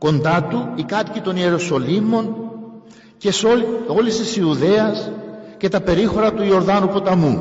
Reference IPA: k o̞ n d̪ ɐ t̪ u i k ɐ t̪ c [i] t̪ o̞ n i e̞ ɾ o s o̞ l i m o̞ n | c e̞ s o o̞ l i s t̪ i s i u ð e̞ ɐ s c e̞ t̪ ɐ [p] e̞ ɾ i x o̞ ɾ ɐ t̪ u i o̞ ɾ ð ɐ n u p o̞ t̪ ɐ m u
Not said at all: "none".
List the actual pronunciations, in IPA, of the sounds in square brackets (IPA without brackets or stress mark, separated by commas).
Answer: i, p